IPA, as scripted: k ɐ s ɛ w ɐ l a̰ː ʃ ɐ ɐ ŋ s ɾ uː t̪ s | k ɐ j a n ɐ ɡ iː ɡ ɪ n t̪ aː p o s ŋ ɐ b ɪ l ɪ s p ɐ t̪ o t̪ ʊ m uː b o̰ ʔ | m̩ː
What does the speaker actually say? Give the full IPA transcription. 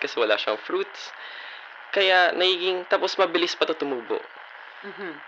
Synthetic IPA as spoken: k ɐ s ɛ w ɐ l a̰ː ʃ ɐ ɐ ŋ f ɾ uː t̪ s | k ɐ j a n ɐ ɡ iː ɡ ɪ ŋ t̪ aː p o s m ɐ b ɪ l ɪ s p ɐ t̪ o t̪ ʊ m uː b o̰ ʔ | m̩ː